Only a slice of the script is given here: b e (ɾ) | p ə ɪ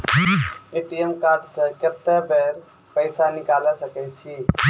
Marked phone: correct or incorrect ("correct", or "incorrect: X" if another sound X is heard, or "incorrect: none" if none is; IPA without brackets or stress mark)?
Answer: correct